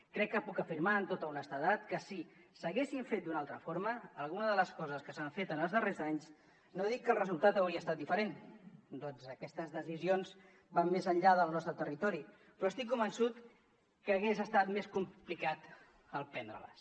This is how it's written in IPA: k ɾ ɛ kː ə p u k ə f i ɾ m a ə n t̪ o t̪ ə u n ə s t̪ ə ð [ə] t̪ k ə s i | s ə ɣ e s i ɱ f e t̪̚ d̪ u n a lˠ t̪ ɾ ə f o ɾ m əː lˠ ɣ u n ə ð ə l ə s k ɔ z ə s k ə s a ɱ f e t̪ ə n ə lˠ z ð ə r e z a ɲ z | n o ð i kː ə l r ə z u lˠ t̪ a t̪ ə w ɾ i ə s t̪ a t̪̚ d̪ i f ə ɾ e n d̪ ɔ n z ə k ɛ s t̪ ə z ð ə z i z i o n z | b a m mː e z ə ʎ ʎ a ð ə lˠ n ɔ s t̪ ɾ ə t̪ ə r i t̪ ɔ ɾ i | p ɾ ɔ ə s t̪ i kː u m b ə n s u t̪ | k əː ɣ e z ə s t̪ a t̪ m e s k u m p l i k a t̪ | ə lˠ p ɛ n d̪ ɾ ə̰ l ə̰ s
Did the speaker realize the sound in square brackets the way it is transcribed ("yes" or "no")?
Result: no